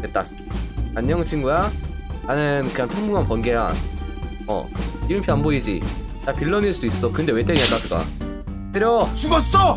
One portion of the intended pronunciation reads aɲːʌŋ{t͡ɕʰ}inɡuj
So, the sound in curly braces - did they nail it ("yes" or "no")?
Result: yes